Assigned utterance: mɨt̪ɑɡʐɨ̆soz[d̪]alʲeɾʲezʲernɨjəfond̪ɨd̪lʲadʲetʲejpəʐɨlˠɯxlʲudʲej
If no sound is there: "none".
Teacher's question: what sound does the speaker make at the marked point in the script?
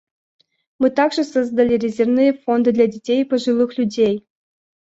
d̪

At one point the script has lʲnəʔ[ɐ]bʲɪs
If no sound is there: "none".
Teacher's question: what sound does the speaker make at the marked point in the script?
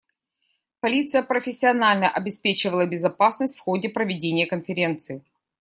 ɐ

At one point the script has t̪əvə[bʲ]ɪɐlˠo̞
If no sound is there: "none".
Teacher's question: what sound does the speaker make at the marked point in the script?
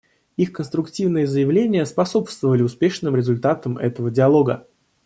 dʲ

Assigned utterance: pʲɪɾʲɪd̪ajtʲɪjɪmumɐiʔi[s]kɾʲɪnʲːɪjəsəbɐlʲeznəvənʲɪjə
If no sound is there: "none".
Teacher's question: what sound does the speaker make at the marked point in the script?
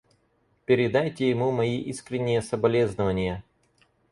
s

